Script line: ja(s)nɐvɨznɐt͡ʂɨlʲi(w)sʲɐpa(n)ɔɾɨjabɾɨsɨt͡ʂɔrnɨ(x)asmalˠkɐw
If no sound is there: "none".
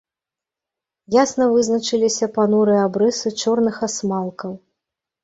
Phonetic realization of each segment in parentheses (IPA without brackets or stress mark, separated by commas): s, none, n, x